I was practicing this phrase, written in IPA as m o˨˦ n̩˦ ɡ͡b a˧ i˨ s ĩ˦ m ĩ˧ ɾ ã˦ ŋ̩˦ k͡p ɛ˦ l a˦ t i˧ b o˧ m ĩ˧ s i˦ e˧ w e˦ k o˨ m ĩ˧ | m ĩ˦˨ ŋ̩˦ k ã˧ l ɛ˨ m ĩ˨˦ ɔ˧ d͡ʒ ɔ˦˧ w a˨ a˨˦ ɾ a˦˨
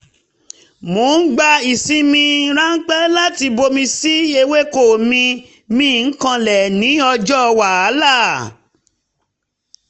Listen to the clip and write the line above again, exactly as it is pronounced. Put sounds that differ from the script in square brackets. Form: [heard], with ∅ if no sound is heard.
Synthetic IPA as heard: m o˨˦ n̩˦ ɡ͡b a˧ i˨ s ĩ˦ m ĩ˧ ɾ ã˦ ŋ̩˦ k͡p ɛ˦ l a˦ t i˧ b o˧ m ĩ˧ s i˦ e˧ w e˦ k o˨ m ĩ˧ | m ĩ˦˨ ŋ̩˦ k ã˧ l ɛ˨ [n] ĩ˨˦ ɔ˧ d͡ʒ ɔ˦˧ w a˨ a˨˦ [l] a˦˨

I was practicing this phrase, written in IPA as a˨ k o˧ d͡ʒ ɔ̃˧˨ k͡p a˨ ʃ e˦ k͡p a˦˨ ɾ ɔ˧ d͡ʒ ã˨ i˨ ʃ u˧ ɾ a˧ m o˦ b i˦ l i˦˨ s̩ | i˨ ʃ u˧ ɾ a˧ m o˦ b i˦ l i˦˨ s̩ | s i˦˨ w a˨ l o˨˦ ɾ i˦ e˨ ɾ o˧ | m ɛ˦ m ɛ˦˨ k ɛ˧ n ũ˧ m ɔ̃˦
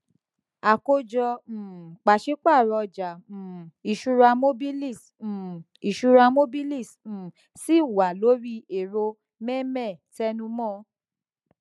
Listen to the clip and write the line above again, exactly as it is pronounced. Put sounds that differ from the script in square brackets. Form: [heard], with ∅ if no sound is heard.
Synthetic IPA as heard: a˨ k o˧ d͡ʒ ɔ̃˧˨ k͡p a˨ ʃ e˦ k͡p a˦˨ ɾ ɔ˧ d͡ʒ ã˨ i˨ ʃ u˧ ɾ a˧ m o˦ b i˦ l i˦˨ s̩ | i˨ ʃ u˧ ɾ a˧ m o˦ b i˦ l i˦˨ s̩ | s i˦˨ w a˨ l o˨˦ ɾ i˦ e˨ ɾ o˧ | m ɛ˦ m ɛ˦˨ [t] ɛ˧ n ũ˧ m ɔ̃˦

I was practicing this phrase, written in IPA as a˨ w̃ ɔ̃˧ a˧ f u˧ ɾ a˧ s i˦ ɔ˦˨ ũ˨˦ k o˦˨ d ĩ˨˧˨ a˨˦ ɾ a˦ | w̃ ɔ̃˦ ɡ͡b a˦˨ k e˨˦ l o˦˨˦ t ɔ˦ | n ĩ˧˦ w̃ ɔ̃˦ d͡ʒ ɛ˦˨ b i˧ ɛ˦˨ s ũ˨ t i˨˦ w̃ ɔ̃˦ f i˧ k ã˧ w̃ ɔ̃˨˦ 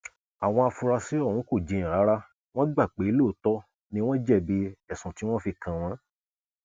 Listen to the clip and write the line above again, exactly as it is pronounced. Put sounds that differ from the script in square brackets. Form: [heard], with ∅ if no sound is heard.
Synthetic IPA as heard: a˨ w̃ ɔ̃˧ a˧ f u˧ ɾ a˧ s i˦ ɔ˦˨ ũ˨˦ k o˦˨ [d͡ʒ] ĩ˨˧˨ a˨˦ ɾ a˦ | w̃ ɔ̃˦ ɡ͡b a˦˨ [k͡p] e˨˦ l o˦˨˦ t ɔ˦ | n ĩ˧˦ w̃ ɔ̃˦ d͡ʒ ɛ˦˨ b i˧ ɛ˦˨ s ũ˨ t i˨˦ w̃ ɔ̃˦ f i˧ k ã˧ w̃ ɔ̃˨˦

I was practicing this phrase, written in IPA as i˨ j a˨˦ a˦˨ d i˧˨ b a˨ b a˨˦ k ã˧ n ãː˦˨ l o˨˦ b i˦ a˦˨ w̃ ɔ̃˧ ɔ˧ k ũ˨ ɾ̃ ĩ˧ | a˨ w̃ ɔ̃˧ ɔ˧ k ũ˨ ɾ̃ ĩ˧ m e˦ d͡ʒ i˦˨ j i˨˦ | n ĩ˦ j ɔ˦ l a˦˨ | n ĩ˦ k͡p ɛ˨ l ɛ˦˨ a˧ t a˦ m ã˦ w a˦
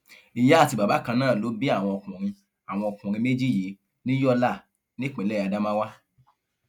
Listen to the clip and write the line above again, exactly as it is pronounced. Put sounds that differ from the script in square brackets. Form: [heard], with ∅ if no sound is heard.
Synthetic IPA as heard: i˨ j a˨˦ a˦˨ [t] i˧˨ b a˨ b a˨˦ k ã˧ n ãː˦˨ l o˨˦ b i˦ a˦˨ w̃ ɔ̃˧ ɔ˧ k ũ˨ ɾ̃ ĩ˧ | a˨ w̃ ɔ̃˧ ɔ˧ k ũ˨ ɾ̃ ĩ˧ m e˦ d͡ʒ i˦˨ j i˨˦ | n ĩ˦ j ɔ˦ l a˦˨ | n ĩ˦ k͡p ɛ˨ l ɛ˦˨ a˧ [d] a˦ m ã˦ w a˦

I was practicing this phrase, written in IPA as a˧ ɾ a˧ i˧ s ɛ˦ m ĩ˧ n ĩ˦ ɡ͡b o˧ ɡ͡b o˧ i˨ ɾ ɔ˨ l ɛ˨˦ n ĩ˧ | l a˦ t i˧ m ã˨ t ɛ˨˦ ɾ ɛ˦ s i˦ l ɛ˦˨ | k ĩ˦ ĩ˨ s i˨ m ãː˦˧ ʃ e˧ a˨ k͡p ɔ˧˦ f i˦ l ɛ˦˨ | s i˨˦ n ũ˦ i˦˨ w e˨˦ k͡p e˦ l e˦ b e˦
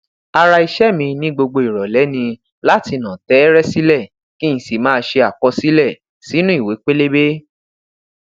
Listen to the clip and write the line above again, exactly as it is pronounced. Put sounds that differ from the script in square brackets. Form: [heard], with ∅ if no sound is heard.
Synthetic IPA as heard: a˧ ɾ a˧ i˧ [ʃ] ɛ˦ m ĩ˧ n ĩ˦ ɡ͡b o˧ ɡ͡b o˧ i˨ ɾ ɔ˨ l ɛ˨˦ n ĩ˧ | l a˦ t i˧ [n] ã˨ t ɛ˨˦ ɾ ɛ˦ s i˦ l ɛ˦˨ | k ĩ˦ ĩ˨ s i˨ m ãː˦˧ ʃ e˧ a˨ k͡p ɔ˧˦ [s] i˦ l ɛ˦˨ | s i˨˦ n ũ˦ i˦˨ w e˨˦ k͡p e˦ l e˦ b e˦

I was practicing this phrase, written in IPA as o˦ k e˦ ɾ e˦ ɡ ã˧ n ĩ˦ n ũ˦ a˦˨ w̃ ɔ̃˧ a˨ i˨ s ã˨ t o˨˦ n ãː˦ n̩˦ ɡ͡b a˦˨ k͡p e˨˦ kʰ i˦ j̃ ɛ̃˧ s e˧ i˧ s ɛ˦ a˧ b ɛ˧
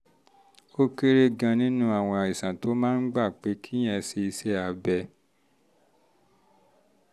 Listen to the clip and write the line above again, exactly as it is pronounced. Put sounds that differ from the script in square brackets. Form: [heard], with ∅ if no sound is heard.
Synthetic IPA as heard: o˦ k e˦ ɾ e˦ ɡ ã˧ n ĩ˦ n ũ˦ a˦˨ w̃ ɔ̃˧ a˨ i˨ s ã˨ t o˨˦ [m] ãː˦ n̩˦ ɡ͡b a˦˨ k͡p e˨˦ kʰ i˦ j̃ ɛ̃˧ s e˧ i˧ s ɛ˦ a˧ b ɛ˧

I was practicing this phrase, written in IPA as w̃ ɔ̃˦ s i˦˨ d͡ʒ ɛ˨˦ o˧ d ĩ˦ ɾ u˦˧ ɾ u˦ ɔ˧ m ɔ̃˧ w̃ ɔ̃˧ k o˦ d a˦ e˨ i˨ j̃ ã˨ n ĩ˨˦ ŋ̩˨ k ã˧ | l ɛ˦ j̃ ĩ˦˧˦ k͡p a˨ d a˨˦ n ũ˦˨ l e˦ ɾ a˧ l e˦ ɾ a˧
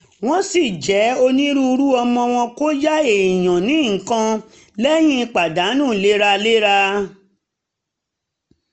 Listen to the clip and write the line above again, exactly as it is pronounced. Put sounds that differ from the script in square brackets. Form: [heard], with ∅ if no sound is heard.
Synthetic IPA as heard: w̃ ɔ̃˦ s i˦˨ d͡ʒ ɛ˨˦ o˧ [n] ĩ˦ ɾ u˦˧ ɾ u˦ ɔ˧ m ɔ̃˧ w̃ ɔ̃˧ k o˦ [d͡ʒ] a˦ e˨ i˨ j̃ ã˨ n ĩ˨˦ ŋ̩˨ k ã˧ | l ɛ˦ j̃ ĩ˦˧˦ k͡p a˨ d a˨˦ n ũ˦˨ l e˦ ɾ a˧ l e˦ ɾ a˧

